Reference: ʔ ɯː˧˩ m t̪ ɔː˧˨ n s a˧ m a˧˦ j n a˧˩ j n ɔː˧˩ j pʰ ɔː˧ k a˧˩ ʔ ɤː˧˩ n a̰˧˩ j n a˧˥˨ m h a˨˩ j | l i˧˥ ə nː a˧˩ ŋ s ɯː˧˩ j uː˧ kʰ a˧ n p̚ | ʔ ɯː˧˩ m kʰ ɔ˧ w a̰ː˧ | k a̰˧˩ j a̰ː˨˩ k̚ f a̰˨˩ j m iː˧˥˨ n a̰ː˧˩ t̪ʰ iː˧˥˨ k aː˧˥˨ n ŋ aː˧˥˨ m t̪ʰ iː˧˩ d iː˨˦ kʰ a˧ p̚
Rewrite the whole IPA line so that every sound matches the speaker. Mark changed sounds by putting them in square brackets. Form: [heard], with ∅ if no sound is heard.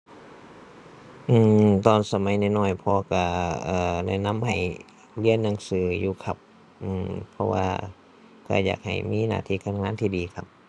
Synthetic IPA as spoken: ʔ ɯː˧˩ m t̪ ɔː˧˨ n s a˧ m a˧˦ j n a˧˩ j n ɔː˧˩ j pʰ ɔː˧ k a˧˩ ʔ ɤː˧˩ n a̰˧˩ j n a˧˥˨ m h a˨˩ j | l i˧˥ ə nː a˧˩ ŋ s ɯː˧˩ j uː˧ kʰ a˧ [∅] p̚ | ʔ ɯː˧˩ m [pʰ] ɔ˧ w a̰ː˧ | k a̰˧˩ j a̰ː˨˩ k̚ [h] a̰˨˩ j m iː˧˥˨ n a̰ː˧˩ t̪ʰ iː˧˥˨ k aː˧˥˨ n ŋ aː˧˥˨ [n] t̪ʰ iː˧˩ d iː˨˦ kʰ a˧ p̚